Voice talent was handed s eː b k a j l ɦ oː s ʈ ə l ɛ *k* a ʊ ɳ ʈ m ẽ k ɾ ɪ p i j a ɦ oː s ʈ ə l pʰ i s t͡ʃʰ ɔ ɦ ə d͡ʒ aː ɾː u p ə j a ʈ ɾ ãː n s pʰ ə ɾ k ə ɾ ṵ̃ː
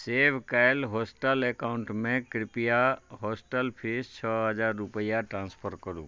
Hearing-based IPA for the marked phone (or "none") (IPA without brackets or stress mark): k